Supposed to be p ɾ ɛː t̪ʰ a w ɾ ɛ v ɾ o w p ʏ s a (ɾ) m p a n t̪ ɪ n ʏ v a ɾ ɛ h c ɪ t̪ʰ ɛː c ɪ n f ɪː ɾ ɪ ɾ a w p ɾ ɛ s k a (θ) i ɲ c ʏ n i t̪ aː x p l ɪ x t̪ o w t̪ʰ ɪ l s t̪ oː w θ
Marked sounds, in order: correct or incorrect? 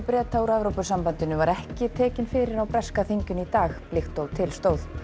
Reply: incorrect: none, correct

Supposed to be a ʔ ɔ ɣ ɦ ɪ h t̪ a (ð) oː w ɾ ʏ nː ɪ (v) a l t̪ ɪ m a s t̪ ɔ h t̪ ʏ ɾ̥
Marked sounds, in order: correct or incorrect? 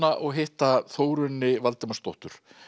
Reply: incorrect: θ, correct

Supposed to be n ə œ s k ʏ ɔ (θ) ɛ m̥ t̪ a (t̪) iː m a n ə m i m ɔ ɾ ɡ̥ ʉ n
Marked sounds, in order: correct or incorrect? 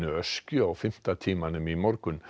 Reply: incorrect: f, incorrect: t̪ʰ

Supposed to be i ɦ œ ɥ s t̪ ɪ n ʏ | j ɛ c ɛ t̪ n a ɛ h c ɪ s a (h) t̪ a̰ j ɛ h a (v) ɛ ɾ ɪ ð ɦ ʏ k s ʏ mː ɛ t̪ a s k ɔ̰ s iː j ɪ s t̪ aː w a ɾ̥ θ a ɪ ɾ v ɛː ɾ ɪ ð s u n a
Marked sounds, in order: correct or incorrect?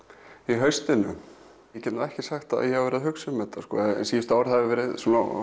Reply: incorrect: x, correct

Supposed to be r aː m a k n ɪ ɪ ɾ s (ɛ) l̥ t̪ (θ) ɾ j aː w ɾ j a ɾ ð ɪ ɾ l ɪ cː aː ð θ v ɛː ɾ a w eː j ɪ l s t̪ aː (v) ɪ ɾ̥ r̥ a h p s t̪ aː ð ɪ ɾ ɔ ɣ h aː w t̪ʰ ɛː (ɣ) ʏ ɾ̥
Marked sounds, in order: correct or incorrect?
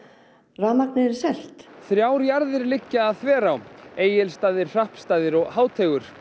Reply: correct, correct, incorrect: ð, correct

